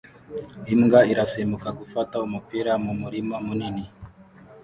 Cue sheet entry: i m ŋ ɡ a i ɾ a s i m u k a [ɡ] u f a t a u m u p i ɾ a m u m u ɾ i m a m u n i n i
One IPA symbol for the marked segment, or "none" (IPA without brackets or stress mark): k